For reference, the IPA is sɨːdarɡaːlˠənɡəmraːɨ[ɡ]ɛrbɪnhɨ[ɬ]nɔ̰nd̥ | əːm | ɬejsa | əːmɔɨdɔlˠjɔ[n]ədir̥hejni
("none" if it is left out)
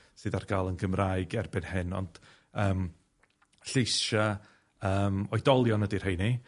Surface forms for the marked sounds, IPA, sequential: ɡ, none, n

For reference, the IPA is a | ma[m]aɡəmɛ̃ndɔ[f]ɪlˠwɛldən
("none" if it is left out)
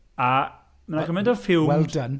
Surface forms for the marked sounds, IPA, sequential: n, f

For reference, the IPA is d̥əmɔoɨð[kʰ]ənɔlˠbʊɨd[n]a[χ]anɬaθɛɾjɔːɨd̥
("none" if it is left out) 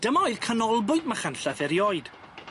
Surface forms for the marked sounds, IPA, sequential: kʰ, m, χ

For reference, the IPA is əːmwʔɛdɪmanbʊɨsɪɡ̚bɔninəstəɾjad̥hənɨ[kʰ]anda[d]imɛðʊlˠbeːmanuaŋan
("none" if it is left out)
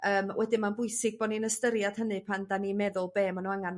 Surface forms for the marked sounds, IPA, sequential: pʰ, n

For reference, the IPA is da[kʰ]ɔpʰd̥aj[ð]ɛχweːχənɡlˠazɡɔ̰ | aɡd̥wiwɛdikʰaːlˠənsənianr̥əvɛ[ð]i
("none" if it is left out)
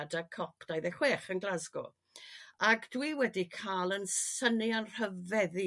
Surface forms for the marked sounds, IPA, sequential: kʰ, ð, ð

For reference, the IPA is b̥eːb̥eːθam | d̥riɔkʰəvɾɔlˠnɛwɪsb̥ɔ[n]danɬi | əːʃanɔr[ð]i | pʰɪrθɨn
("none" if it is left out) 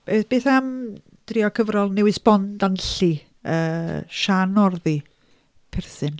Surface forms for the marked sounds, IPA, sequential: n, ð

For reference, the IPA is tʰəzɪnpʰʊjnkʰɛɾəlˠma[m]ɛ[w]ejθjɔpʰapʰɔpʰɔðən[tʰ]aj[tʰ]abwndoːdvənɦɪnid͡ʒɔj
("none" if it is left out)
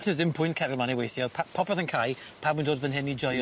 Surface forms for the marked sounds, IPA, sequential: n, w, kʰ, pʰ

